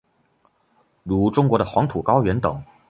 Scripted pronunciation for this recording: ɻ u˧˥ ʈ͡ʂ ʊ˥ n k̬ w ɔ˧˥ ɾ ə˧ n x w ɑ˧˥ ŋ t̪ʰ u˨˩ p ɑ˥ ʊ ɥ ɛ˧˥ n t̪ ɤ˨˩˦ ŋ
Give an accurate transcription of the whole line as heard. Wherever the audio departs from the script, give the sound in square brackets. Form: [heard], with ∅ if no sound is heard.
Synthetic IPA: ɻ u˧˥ ʈ͡ʂ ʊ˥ [ŋ] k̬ w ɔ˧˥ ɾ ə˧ [∅] x w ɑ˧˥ ŋ t̪ʰ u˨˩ [k] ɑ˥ ʊ ɥ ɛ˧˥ n t̪ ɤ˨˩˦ ŋ